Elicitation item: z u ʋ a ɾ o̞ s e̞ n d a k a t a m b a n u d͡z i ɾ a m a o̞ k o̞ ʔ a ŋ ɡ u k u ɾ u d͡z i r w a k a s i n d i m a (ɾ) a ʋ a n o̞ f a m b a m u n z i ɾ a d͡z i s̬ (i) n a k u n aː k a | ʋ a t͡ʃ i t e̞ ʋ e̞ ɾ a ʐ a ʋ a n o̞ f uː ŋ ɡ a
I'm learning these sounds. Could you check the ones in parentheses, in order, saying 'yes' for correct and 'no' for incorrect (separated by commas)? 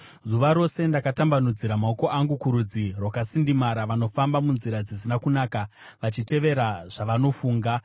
yes, yes